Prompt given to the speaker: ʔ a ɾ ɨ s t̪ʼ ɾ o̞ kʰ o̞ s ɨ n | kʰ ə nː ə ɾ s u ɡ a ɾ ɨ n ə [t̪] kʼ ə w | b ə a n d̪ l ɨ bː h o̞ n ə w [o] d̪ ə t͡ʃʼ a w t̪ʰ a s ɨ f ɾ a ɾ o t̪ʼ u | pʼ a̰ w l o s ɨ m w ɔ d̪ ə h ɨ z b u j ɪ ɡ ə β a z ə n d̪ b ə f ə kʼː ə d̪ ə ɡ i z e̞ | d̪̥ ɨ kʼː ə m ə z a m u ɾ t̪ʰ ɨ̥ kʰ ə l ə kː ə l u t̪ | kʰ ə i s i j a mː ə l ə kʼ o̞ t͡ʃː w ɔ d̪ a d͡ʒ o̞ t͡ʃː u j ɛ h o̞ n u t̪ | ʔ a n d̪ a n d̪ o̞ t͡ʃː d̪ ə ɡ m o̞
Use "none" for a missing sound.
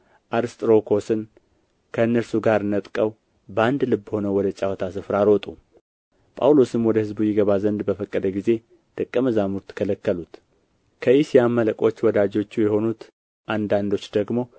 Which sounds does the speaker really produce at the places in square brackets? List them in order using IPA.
t̪ʼ, ɔ

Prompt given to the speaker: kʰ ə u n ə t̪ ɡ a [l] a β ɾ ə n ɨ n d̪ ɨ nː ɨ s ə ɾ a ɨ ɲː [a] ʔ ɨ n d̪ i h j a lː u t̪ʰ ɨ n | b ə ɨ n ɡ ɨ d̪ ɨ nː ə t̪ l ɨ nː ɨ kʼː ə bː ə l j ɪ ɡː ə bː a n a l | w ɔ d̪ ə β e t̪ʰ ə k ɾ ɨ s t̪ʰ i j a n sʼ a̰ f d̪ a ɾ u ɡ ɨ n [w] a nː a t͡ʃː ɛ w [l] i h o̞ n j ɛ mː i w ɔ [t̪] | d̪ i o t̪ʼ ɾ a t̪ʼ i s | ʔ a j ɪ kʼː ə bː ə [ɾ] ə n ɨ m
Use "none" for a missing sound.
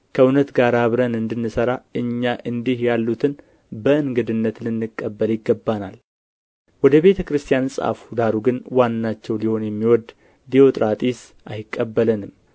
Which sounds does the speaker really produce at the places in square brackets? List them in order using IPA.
ɾ, a, w, l, d̪, l

